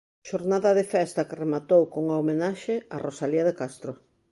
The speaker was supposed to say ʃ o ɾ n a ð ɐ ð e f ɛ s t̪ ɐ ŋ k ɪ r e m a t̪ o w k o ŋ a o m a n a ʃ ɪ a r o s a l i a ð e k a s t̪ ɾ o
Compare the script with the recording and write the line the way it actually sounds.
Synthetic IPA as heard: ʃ o ɾ n a ð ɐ ð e f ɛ s t̪ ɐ k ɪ r e m a t̪ o w k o ŋ a o m e n a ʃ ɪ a r o s a l i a ð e k a s t̪ ɾ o